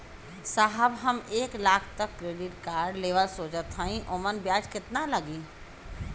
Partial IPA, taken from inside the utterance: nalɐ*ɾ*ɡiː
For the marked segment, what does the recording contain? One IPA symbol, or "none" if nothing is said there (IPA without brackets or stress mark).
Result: none